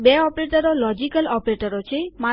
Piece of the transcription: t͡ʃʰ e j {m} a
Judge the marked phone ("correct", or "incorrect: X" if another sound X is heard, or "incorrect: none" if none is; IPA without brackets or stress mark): correct